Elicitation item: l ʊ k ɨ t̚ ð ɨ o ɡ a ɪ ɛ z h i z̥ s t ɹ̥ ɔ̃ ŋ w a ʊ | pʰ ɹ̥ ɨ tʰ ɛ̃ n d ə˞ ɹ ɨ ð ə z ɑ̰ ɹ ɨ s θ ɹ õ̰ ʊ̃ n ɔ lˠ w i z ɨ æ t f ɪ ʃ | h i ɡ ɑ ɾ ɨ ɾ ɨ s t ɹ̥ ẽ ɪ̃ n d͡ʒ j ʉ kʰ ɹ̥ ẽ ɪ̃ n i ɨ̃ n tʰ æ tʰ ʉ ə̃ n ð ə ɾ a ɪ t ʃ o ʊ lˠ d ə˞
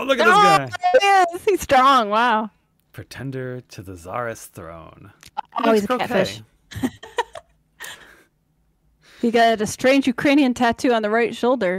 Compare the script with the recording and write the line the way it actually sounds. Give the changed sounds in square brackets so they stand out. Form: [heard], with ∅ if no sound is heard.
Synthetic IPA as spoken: l ʊ k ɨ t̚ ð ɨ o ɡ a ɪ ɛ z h i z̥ s t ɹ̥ ɔ̃ ŋ w a ʊ | pʰ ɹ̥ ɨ tʰ ɛ̃ n d ə˞ [ɾ] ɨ ð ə z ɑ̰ ɹ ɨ s θ ɹ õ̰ ʊ̃ n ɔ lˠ w i z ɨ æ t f ɪ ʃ | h i ɡ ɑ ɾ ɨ ɾ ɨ s t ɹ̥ ẽ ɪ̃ n d͡ʒ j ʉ kʰ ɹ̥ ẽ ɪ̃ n i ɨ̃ n tʰ æ tʰ ʉ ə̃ n ð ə [ɹ] a ɪ t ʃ o ʊ lˠ d ə˞